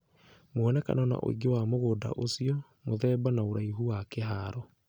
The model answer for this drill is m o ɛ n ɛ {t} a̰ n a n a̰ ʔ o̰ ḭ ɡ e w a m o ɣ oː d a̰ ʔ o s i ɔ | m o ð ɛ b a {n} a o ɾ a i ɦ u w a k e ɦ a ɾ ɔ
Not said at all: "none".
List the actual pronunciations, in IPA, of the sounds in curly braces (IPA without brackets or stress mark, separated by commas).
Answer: k, n